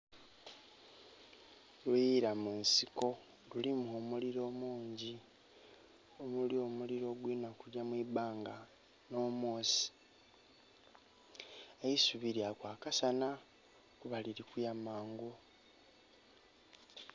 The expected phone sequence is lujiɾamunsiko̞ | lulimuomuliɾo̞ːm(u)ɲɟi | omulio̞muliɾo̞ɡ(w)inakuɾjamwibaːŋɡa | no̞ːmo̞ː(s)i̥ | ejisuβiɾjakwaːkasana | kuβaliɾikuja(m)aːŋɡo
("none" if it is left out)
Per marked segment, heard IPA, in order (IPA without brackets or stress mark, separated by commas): uː, w, s, m